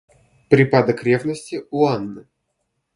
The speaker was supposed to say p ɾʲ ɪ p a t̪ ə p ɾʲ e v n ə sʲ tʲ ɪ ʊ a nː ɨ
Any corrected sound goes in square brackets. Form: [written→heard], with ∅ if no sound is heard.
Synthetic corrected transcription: p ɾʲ ɪ p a [t̪→d̪] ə [p→k] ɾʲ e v n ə sʲ tʲ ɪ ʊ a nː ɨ